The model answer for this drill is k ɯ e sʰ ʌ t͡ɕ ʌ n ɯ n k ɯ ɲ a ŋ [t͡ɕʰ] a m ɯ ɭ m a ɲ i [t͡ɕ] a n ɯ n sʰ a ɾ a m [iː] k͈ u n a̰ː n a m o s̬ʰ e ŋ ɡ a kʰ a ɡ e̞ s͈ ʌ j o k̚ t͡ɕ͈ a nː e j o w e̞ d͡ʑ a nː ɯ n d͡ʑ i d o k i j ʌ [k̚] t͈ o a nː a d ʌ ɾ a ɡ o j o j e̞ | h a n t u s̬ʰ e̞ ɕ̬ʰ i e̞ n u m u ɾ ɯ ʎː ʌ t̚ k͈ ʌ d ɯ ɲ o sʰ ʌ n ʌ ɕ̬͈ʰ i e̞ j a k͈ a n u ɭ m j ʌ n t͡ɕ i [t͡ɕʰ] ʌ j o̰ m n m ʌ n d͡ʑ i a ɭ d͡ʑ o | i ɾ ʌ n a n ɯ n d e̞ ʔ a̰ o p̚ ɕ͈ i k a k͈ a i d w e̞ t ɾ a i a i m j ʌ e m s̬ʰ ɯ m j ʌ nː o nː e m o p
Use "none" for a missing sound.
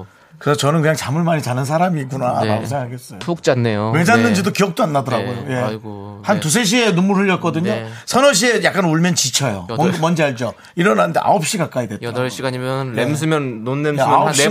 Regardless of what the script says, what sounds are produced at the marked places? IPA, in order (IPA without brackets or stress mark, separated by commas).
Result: t͡ɕ, t͡ɕ, iː, k̚, t͡ɕʰ